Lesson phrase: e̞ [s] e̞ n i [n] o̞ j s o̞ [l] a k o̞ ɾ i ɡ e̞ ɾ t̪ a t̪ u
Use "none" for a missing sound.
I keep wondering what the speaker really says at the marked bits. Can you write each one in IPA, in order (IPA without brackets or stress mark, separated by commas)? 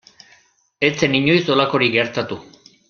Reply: t͡s, ɲ, l